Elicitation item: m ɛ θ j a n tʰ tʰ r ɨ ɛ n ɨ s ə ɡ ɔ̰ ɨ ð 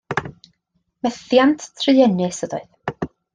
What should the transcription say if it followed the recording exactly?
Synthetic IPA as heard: m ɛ θ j a n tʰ tʰ r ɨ ɛ n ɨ s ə d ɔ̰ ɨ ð